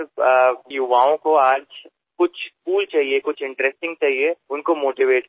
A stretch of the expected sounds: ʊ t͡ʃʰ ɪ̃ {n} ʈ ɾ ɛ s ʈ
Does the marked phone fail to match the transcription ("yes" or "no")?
yes